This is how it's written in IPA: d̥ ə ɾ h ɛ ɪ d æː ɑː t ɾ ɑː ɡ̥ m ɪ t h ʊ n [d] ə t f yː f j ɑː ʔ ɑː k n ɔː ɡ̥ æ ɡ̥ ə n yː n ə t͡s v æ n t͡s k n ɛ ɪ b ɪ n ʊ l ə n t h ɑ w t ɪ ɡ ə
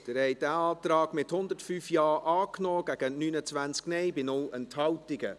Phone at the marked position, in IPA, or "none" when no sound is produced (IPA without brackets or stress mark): d